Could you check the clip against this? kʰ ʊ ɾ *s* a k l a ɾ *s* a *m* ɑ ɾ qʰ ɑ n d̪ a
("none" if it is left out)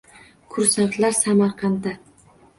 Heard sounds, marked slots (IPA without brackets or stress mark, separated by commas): s, s, m